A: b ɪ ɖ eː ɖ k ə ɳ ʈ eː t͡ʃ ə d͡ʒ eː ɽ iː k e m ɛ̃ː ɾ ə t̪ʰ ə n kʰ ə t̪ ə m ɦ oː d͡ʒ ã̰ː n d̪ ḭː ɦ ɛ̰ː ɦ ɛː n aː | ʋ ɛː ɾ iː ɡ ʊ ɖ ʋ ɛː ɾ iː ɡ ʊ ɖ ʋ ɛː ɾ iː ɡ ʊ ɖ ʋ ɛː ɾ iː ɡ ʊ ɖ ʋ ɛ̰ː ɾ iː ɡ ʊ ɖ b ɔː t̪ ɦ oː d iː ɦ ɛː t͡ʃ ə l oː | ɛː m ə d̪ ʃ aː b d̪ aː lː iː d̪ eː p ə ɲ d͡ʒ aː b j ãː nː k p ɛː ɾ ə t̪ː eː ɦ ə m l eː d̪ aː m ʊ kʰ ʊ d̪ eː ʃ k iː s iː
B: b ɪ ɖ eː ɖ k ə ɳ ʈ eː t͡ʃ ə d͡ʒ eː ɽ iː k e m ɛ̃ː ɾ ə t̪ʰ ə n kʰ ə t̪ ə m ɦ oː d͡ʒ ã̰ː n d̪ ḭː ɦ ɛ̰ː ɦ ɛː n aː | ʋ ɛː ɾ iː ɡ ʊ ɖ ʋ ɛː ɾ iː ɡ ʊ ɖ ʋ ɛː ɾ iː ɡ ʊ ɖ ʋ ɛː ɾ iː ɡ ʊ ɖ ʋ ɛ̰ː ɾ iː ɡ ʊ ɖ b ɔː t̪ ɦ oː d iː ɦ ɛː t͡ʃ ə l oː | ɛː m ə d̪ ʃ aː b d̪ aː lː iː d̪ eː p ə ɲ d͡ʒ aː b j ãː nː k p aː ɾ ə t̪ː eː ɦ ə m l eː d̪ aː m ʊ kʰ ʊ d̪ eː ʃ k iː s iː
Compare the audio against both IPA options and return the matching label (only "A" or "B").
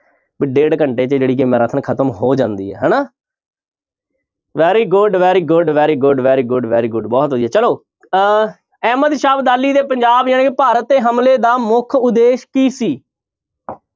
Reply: B